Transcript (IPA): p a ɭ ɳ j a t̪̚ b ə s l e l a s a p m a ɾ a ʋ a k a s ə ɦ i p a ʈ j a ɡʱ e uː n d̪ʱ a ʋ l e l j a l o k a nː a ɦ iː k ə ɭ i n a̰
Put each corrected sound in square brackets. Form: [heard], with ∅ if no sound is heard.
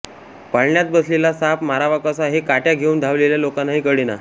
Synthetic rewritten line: p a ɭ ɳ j a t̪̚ b ə s l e l a s a p m a ɾ a ʋ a k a s [a] ɦ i [k] a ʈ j a ɡʱ e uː n d̪ʱ a ʋ l e l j a l o k a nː a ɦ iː k ə [ɽ] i n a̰